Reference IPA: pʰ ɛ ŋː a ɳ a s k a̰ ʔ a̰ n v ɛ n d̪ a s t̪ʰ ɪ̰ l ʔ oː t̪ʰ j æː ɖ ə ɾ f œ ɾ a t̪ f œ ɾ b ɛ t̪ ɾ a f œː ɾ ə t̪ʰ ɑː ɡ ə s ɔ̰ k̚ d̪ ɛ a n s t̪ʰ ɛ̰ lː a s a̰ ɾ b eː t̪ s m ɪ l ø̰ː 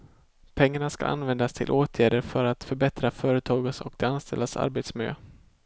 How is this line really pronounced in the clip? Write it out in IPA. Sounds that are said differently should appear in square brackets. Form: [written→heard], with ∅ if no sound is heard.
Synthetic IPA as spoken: pʰ ɛ ŋː a ɳ a s k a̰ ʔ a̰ n v ɛ n d̪ a s t̪ʰ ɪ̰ l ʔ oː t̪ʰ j æː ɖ ə ɾ f œ ɾ a t̪ f œ ɾ b ɛ t̪ ɾ a f œː ɾ ə t̪ʰ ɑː ɡ ə s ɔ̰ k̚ d̪ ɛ a n s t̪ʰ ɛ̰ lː a s a̰ ɾ b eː t̪ s m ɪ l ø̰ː